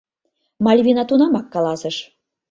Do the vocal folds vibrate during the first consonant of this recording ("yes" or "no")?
yes